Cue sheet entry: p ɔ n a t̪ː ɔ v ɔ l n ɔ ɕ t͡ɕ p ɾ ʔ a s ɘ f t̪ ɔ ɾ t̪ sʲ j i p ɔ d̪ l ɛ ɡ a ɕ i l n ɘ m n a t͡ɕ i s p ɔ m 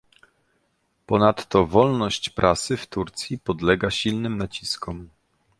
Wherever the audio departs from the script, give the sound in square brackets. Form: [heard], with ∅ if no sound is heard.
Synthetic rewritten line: p ɔ n a t̪ː ɔ v ɔ l n ɔ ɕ t͡ɕ p ɾ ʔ a s ɘ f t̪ [u] ɾ t̪ sʲ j i p ɔ d̪ l ɛ ɡ a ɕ i l n ɘ m n a t͡ɕ i s [k] ɔ m